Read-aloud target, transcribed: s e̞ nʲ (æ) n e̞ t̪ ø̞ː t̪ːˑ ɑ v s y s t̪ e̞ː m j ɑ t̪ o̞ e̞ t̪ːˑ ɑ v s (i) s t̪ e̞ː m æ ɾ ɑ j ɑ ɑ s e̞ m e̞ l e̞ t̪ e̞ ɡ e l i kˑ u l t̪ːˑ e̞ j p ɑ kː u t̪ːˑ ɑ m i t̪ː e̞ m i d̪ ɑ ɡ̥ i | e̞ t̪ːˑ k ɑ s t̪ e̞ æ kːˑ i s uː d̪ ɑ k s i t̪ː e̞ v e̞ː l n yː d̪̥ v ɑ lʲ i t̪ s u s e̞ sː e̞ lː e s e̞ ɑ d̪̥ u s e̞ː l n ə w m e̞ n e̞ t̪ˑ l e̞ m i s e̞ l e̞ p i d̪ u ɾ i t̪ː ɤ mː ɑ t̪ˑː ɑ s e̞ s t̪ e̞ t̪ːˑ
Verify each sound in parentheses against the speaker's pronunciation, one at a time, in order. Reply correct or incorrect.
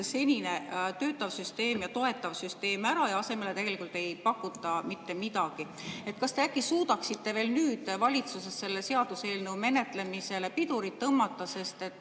incorrect, incorrect

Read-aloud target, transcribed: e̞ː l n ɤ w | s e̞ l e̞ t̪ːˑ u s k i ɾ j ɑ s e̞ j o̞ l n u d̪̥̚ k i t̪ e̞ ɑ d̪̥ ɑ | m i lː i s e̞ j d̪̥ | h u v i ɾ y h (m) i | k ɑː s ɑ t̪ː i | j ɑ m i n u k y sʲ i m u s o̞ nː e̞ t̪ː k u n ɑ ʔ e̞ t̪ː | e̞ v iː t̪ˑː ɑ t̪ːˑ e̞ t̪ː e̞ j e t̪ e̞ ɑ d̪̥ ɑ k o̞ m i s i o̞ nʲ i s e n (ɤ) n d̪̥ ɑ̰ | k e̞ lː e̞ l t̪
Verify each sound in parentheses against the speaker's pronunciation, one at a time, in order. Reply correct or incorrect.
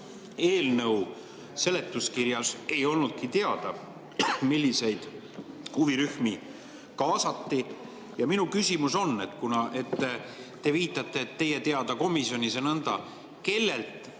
correct, correct

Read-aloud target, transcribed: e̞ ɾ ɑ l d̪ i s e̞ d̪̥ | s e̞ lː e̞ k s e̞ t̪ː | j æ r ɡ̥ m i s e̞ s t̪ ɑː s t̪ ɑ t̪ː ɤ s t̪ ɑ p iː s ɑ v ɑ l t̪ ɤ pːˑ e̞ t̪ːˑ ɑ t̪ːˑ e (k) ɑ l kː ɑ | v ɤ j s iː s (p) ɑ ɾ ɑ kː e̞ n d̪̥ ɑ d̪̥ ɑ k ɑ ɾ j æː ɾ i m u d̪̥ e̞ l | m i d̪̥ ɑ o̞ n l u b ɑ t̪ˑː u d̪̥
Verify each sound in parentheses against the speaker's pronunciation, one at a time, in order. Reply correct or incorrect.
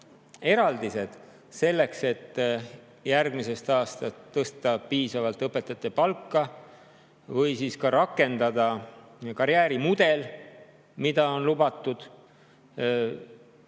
incorrect, incorrect

